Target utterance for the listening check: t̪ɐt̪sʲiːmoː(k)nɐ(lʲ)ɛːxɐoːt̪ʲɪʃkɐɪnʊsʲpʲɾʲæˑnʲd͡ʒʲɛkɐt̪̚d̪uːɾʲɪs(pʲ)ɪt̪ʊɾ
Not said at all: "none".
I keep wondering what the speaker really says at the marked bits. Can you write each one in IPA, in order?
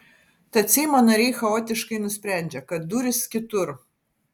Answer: none, ɾʲ, kʲ

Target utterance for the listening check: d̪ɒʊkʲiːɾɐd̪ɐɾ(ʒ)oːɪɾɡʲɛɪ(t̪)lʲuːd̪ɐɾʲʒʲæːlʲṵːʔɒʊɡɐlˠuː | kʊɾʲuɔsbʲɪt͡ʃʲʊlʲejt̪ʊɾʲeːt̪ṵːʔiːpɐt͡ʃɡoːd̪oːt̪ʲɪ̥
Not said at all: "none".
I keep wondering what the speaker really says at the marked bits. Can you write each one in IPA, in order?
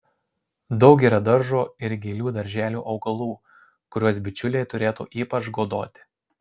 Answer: ʒ, none

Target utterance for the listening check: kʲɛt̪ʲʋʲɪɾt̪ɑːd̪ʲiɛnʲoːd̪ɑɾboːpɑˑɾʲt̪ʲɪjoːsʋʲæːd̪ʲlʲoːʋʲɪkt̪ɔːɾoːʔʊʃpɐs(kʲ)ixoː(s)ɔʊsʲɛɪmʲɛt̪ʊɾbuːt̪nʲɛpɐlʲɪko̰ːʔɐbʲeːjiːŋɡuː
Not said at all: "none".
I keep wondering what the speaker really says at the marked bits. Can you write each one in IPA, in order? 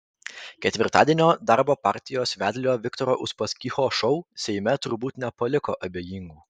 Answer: kʲ, ʃ

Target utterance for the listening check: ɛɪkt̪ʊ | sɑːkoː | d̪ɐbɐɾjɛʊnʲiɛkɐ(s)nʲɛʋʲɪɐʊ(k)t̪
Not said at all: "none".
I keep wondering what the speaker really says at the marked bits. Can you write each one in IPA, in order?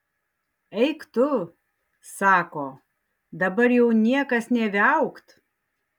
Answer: s, k

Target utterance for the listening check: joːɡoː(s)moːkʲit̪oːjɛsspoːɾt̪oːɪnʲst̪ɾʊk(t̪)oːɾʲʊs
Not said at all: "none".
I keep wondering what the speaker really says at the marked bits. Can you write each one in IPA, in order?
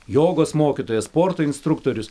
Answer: s, t̪

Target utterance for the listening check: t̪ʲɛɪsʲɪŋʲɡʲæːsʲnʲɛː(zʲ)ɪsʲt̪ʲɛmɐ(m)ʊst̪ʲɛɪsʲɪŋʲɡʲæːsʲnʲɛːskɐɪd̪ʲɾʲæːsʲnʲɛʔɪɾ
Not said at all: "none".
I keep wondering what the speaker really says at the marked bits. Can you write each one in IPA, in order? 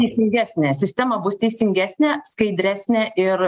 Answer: sʲ, b

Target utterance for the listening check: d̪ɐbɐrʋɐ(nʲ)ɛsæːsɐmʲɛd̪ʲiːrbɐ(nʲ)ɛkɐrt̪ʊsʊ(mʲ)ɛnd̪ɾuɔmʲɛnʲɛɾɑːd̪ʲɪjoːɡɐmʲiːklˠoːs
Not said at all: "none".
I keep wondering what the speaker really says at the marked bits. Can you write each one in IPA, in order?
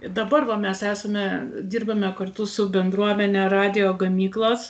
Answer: mʲ, mʲ, bʲ

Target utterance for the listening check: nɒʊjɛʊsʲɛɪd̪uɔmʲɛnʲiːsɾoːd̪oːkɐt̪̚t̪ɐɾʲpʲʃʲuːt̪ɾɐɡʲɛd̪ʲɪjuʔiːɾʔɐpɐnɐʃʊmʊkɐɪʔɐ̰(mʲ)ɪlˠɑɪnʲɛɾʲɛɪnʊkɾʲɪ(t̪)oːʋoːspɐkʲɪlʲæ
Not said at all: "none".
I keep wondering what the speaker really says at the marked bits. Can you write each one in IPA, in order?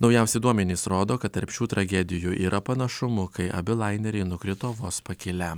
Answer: bʲ, t̪

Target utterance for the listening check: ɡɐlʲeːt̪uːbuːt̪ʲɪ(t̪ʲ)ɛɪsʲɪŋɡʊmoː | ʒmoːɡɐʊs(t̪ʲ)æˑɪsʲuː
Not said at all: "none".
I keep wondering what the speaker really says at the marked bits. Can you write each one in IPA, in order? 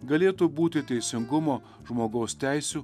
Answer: t̪ʲ, t̪ʲ

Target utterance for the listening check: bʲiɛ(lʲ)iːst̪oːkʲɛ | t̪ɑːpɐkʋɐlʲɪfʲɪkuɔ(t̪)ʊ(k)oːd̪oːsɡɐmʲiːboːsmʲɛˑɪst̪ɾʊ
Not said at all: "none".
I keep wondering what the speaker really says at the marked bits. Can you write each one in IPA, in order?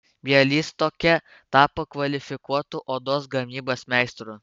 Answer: lʲ, t̪, ʔ

